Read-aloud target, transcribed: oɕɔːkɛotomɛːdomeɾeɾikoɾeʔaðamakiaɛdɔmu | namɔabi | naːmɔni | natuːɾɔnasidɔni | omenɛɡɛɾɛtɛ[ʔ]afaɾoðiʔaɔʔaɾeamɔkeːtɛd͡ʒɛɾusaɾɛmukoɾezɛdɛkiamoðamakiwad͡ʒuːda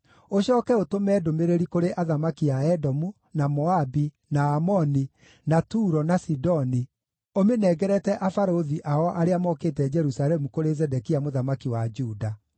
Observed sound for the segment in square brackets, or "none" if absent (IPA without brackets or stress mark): ʔ